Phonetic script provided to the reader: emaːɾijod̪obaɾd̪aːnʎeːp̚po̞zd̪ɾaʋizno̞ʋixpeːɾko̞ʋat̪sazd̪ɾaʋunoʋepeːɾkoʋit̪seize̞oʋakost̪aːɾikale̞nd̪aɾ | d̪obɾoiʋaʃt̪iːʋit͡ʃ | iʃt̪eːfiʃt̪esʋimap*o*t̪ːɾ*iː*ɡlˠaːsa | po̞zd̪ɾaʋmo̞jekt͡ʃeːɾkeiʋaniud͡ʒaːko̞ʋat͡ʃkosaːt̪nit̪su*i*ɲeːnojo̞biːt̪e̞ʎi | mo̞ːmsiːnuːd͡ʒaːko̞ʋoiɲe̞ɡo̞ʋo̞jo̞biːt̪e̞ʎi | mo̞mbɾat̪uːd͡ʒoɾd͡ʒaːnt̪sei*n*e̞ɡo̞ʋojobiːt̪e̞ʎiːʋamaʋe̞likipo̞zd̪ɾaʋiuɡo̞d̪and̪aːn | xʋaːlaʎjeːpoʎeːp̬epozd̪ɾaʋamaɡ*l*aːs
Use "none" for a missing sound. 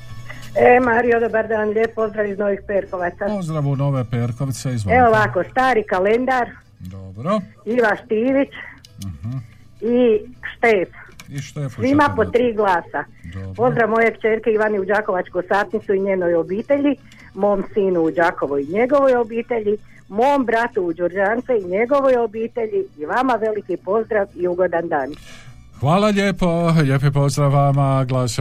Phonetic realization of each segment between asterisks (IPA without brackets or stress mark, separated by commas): o, iː, i, ɲ, l